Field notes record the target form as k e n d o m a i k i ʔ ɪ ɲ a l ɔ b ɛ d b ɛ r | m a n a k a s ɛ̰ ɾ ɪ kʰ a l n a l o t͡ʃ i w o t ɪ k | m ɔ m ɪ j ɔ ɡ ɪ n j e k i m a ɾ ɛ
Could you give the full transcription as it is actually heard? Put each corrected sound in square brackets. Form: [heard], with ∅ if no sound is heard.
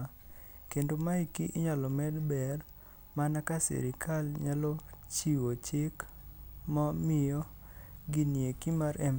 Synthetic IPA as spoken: k e n d o m a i k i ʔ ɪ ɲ a l ɔ [m] ɛ d b ɛ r | m a n a k a s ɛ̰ ɾ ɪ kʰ a l [ɲ] a l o t͡ʃ i w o [t͡ʃ] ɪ k | m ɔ m ɪ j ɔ ɡ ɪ n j e k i m a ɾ ɛ